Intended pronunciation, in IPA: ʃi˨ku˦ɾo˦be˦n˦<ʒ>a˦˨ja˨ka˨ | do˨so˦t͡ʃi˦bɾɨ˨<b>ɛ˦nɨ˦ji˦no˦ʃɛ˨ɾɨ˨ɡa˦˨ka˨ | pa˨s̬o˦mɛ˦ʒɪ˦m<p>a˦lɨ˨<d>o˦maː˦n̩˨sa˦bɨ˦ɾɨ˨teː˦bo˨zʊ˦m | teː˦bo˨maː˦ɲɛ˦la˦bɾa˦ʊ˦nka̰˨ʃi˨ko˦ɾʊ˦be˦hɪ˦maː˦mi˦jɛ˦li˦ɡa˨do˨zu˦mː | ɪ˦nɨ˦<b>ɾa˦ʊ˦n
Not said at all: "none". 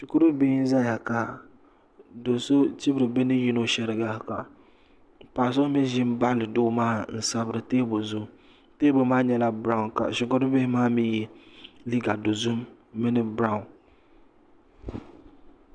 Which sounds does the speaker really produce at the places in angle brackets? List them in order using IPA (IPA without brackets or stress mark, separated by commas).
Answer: z, b, b, d, b